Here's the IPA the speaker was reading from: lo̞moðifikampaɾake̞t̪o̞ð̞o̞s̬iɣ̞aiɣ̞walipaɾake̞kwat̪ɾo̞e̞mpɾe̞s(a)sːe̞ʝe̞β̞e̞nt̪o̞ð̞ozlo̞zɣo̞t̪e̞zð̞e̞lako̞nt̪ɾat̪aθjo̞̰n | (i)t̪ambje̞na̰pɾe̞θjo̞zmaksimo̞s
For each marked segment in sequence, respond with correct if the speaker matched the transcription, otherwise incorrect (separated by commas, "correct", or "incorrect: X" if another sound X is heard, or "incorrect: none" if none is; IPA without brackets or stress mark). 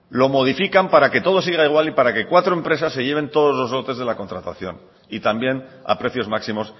correct, correct